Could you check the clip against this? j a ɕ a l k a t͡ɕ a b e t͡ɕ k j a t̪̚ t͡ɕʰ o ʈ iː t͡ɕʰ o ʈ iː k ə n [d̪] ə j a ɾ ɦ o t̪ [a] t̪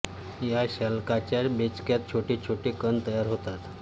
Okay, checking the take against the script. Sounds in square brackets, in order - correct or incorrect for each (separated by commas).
incorrect, correct